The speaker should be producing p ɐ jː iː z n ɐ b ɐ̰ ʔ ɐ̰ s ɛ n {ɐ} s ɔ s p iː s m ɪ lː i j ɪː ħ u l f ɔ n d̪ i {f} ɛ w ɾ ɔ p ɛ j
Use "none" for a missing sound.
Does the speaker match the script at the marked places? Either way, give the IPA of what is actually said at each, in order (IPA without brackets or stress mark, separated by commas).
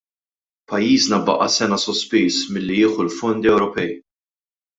ɐ, none